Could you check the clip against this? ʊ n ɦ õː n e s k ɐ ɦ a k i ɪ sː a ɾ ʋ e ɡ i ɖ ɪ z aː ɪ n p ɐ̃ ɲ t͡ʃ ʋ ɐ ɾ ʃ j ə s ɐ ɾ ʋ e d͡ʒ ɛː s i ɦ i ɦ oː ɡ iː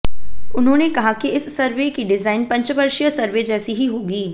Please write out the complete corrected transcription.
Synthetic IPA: ʊ n ɦ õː n e k ɐ ɦ a k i ɪ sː ɐ ɾ ʋ e k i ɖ ɪ z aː ɪ n p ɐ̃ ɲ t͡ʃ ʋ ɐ ɾ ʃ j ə s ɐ ɾ ʋ e d͡ʒ ɛː s i ɦ i ɦ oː ɡ iː